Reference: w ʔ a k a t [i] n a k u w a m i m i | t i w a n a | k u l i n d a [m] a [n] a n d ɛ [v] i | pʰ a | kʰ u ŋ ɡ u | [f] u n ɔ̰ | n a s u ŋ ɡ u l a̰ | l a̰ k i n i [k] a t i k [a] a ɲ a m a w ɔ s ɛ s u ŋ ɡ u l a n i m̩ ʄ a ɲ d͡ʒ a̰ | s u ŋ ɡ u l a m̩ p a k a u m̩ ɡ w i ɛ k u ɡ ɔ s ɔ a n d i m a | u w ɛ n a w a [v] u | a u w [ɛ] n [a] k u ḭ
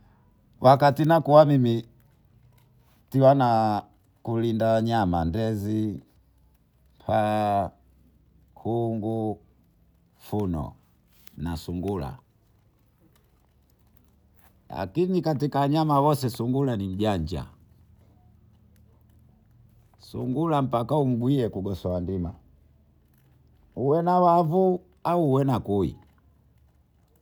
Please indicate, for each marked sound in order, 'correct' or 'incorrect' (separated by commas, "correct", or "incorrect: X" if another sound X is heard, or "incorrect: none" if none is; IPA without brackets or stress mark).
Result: correct, incorrect: ɲ, incorrect: m, incorrect: z, correct, correct, correct, correct, correct, correct